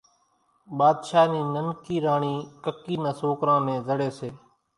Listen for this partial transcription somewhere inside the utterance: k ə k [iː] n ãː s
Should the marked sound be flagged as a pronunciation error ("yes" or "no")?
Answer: no